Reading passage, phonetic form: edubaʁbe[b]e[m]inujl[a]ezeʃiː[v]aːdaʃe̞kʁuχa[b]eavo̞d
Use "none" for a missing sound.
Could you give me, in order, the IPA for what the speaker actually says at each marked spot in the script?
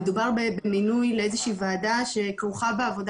b, m, e, v, b

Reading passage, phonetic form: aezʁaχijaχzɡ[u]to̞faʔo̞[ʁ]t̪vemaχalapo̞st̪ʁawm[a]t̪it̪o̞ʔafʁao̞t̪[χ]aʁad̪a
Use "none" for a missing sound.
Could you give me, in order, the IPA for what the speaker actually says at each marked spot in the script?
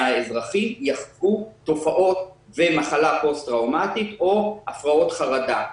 u, none, a, χ

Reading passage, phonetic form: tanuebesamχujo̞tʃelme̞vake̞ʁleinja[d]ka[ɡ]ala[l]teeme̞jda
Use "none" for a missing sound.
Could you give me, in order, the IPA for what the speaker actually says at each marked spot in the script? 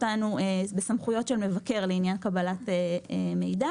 n, b, none

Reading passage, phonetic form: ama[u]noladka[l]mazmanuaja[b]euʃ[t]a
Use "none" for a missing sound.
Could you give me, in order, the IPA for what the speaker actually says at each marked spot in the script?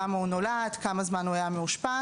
u, none, m, p

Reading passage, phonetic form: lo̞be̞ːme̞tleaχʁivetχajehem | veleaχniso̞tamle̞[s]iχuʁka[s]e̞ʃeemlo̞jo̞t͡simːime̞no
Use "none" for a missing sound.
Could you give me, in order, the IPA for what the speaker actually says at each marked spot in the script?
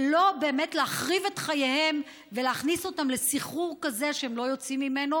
s, z

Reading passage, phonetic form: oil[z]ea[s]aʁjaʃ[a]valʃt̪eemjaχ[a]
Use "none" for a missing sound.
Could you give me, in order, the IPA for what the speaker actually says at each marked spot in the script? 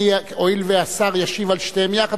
v, s, i, a

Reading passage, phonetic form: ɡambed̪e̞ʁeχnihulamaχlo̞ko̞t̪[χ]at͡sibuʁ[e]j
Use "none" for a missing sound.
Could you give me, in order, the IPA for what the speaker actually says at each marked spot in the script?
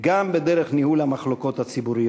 h, i

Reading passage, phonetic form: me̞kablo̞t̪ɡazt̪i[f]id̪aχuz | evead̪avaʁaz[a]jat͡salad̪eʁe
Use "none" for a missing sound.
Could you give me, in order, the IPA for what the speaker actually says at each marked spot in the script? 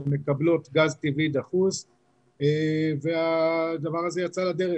v, e

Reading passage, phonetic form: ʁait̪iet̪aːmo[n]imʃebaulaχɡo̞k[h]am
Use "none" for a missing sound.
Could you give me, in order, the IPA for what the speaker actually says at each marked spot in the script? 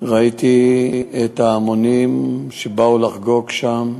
n, ʃ

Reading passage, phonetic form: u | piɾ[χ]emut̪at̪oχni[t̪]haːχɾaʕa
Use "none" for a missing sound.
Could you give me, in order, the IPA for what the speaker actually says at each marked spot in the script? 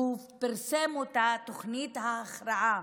s, t̪

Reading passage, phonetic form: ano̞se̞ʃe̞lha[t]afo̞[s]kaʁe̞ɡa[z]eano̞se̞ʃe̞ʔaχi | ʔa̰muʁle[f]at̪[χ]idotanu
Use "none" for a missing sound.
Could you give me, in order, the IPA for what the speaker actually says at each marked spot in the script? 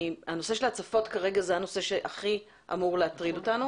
t͡s, t, z, none, ʁ

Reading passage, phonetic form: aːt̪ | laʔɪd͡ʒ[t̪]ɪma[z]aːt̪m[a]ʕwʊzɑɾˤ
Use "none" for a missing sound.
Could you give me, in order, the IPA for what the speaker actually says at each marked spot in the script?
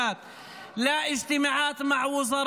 t̪, ʕ, a

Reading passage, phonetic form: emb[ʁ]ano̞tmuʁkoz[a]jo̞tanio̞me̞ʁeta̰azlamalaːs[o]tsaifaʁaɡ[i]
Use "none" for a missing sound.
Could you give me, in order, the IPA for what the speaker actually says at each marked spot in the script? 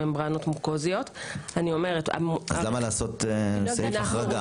ʁ, i, o, a

